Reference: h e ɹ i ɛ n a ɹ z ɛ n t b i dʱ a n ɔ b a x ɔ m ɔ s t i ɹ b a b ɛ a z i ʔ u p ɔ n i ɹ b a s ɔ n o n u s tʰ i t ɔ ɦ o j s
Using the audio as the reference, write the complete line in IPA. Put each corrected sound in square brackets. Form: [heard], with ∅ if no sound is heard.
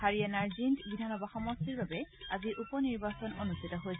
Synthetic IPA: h [a] ɹ i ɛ n a ɹ z [i] n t b i dʱ a n ɔ b a x ɔ m ɔ s t i ɹ b a b ɛ a z i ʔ u p ɔ n i ɹ b a s ɔ n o n u s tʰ i t ɔ ɦ o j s